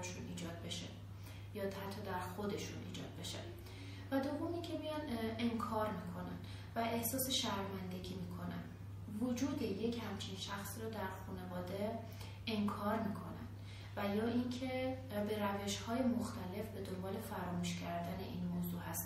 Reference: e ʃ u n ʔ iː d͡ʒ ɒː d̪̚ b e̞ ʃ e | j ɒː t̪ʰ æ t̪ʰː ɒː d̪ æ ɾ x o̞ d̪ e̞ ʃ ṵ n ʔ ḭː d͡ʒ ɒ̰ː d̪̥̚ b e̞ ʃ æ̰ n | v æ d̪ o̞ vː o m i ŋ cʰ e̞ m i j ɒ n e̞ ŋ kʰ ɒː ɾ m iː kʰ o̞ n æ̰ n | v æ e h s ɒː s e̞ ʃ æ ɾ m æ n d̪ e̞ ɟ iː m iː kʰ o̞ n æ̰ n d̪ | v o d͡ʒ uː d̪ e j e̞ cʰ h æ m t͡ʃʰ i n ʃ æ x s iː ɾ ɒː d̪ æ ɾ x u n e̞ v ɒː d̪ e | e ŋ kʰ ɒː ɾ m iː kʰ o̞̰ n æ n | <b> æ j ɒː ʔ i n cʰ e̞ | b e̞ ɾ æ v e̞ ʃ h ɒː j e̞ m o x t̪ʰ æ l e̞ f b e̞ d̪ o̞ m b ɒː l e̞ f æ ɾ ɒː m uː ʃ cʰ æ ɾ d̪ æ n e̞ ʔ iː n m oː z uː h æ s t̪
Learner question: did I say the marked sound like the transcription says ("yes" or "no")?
no